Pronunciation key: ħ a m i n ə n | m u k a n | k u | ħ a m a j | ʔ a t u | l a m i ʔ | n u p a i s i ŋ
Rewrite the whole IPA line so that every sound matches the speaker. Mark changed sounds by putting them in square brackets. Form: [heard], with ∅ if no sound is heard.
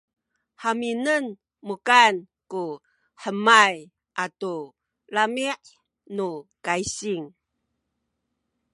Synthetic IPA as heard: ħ a m i n ə n | m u k a n | k u | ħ [ə] m a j | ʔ a t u | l a m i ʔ | n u [k] a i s i ŋ